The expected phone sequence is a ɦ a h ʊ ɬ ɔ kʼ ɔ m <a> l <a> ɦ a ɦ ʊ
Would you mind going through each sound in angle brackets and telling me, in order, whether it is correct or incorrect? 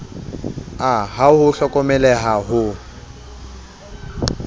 incorrect: ɛ, incorrect: ɛ

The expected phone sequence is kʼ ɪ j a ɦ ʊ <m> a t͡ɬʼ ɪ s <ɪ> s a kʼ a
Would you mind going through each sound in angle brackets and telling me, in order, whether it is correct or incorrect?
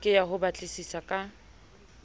incorrect: b, incorrect: i

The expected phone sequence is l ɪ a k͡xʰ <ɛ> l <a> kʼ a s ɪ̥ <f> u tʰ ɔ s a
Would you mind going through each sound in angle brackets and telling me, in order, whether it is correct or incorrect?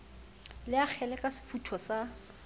correct, incorrect: ɛ, correct

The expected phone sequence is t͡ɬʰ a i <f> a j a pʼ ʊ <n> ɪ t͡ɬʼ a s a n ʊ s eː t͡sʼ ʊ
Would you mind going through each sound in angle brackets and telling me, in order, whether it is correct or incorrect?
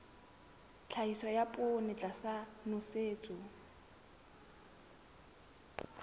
incorrect: s, correct

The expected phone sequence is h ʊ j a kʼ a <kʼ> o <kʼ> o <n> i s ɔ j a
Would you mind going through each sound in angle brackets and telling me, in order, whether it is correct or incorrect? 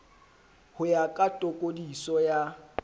incorrect: tʼ, correct, incorrect: d

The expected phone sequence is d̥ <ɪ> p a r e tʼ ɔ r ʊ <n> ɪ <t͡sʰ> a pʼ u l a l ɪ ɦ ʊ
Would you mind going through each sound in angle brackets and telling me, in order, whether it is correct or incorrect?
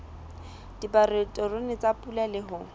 incorrect: i, correct, incorrect: t͡s

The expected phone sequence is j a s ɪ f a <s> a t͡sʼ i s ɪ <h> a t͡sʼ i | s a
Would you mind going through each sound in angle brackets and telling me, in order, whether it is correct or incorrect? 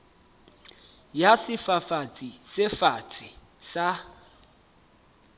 incorrect: f, incorrect: f

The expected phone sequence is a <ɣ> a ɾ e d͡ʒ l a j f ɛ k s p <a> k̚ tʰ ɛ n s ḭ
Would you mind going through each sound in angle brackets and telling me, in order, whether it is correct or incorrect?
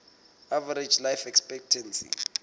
incorrect: v, incorrect: ɛ

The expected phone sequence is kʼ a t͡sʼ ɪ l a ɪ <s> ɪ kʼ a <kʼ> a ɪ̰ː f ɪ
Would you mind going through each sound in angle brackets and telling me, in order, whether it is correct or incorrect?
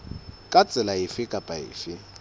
incorrect: f, incorrect: pʼ

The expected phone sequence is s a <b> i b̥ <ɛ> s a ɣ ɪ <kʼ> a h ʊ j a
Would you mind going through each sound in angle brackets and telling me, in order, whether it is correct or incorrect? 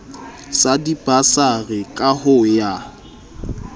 incorrect: d, incorrect: a, correct

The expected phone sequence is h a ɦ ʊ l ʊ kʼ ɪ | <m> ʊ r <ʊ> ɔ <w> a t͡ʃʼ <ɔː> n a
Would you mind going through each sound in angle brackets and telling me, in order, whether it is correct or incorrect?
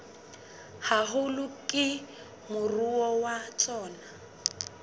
correct, incorrect: u, correct, correct

